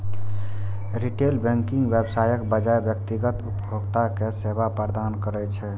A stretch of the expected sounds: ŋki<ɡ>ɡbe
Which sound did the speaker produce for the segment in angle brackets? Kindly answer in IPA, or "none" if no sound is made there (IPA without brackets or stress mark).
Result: ŋ